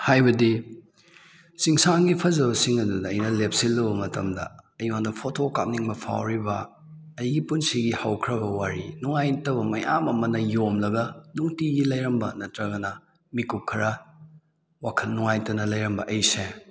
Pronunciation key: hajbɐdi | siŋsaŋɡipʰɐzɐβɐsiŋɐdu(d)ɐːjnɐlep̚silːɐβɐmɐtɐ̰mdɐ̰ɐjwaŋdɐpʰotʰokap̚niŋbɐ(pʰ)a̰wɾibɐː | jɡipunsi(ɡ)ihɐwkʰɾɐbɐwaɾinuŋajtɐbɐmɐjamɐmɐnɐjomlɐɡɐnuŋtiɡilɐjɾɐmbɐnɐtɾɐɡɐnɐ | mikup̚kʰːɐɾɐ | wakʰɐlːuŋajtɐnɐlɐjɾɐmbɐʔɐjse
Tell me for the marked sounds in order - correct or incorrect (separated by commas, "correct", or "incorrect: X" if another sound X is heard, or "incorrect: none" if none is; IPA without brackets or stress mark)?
correct, correct, correct